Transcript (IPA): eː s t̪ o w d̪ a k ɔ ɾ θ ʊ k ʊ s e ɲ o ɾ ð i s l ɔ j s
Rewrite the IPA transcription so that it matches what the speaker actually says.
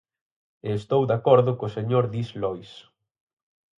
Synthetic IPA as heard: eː s t̪ o w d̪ a k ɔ ɾ ð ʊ k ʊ s e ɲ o ɾ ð i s l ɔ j s

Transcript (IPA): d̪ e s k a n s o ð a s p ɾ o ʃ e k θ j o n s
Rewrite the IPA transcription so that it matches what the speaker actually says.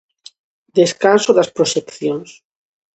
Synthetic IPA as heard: d̪ e s k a n s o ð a s p ɾ o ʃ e k θ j o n s

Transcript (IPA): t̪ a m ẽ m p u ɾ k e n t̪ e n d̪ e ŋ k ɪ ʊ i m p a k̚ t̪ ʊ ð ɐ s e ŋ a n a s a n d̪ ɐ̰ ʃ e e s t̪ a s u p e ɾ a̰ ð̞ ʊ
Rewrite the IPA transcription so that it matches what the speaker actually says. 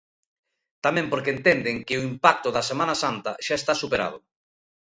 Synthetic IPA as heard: t̪ a m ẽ m p o ɾ k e n t̪ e n d̪ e ŋ k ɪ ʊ i m p a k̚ t̪ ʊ ð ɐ s e m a n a s a n t̪ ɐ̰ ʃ a e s t̪ a s u p e ɾ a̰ ð̞ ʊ

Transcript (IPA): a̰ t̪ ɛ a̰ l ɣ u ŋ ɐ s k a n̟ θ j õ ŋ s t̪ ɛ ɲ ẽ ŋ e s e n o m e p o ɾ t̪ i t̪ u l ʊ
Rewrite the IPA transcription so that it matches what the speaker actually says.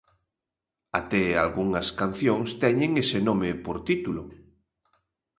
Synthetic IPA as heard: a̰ t̪ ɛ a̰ l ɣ u ŋ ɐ s k a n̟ θ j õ ŋ s t̪ ɛ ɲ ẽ ŋ e s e n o m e p o ɾ t̪ i t̪ u l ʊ

